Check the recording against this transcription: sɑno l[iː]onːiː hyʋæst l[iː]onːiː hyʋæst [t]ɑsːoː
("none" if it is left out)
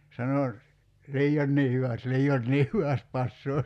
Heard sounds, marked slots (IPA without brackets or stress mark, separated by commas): iː, iː, p